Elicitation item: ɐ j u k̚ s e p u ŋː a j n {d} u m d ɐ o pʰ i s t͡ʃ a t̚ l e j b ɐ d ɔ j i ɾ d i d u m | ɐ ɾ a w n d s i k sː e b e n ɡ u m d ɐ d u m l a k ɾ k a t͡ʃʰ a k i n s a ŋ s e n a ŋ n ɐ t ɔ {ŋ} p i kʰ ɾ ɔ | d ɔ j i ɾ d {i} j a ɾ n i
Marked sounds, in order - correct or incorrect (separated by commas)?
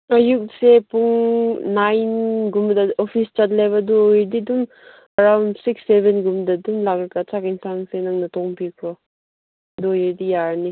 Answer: incorrect, correct, correct